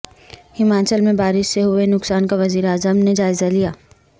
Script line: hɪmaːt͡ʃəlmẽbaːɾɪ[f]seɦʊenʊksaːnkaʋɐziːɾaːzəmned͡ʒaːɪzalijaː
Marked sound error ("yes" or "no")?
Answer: yes